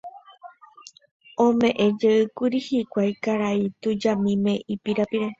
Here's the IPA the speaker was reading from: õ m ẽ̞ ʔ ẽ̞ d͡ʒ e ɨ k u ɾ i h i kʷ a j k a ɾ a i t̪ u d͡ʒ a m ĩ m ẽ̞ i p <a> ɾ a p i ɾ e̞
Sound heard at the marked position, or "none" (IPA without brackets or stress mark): i